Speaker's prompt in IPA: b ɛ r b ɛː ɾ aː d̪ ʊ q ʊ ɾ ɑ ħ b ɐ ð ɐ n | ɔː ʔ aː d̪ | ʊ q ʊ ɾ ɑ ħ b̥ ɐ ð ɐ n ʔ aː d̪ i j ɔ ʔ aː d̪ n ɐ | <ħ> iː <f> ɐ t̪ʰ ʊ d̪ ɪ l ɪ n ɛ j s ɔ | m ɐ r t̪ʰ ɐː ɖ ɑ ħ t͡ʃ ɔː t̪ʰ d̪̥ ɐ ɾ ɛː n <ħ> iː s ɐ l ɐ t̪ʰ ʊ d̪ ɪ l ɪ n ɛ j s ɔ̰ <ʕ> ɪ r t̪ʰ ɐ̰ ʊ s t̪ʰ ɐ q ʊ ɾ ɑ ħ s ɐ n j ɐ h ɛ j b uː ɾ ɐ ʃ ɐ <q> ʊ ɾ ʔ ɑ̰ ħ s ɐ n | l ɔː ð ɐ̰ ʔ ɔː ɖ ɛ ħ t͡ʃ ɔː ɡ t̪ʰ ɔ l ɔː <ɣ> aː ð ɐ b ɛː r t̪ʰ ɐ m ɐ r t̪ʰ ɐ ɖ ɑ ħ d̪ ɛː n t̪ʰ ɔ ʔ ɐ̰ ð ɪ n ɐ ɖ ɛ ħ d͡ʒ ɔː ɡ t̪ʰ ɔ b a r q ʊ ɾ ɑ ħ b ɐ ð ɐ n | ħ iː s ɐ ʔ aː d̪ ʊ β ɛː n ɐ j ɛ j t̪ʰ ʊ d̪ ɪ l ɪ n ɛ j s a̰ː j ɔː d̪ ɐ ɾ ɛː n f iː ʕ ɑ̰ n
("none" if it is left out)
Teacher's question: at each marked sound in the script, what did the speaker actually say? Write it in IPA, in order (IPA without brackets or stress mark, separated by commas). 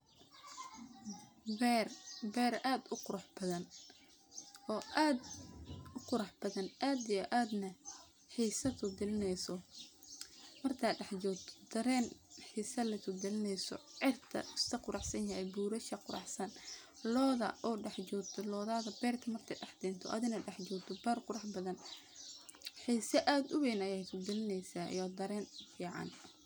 ħ, s, ħ, ʕ, q, ð